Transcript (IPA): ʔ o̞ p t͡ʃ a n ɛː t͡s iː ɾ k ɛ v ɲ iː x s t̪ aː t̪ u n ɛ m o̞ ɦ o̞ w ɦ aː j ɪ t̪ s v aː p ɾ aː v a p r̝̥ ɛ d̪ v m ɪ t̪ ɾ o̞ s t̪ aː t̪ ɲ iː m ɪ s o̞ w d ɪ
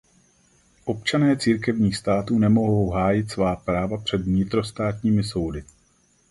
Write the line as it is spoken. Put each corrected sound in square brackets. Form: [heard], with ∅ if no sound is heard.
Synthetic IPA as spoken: ʔ o̞ p t͡ʃ a n ɛː t͡s iː ɾ k ɛ v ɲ iː x s t̪ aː t̪ [uː] n ɛ m o̞ ɦ o̞ w ɦ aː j ɪ t̪ s v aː p ɾ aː v a p r̝̥ ɛ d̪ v [ɲ] ɪ t̪ ɾ o̞ s t̪ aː t̪ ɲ iː m ɪ s o̞ w d ɪ